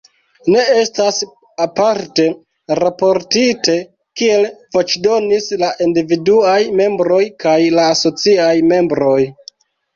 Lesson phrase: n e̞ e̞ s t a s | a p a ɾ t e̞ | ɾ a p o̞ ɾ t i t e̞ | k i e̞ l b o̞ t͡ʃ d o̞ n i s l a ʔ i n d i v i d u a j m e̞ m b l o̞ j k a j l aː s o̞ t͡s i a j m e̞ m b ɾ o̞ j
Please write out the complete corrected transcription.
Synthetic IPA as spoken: n e̞ e̞ s t a s | a p a ɾ t e̞ | ɾ a p o̞ ɾ t i t e̞ | k i e̞ l v o̞ t͡ʃ d o̞ n i s l a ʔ i n d i v i d u a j m e̞ m b ɾ o̞ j k a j l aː s o̞ t͡s i a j m e̞ m b ɾ o̞ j